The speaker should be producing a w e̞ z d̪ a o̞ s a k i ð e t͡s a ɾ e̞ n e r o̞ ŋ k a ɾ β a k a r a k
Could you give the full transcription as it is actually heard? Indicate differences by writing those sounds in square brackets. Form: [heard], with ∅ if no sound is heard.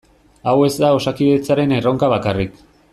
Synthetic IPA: a w e̞ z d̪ a o̞ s a k i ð e t͡s a ɾ e̞ n e r o̞ ŋ k a [∅] β a k a r [i] k